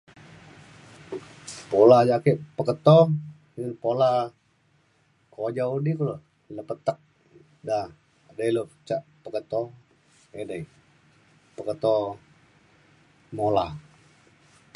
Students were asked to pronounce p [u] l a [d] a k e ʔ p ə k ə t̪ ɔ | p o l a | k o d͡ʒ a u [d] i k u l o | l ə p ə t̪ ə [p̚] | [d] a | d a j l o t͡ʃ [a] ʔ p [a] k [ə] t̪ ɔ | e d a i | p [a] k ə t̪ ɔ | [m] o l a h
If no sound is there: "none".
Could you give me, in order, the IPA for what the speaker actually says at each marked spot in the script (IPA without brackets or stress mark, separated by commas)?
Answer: o, d͡ʒ, d, k̚, d, a, ə, ə, ə, m